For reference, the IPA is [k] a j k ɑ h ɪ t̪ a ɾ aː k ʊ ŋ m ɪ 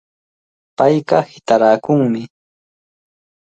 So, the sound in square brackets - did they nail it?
no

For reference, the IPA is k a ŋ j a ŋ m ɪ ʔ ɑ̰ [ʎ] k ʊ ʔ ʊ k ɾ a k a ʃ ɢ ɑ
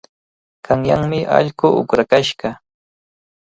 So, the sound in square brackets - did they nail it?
yes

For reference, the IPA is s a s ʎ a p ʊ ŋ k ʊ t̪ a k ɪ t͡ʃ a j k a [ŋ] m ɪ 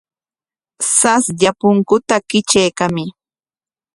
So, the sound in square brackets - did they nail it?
no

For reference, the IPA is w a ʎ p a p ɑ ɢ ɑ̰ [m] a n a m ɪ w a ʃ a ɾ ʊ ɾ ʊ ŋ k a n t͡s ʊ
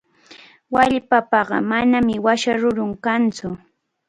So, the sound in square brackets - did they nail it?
yes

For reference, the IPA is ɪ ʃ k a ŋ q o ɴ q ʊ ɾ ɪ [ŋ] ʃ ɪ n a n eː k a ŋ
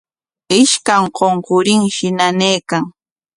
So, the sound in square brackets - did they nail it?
yes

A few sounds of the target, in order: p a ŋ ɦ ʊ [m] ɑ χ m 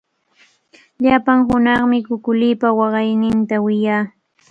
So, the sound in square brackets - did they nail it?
no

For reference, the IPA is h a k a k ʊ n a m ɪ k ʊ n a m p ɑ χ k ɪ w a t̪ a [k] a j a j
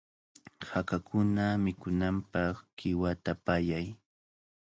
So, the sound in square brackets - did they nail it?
no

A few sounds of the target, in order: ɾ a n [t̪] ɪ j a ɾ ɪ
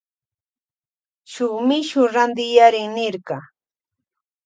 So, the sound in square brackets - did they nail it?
no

